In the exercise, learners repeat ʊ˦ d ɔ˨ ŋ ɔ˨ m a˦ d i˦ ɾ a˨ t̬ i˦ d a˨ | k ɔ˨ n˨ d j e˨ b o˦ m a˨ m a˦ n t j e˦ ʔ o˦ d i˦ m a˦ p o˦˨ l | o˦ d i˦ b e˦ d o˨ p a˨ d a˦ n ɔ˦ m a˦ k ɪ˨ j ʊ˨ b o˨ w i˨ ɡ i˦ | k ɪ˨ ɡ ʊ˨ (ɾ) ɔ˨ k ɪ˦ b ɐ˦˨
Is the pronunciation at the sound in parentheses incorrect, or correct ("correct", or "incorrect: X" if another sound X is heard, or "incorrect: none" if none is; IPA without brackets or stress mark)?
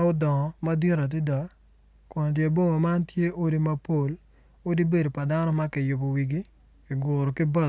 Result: correct